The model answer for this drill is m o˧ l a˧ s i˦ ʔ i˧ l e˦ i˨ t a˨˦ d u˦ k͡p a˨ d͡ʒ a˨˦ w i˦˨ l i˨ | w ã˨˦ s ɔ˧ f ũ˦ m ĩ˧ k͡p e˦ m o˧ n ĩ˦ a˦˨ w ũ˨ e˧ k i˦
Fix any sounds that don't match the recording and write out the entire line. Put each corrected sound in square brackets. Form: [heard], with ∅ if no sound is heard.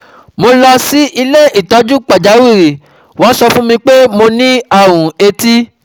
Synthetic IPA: m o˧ l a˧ s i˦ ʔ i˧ l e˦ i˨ t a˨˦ [d͡ʒ] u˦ k͡p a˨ d͡ʒ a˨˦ w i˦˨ [ɾ] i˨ | w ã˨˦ s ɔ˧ f ũ˦ m ĩ˧ k͡p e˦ m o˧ n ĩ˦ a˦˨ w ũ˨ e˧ [t] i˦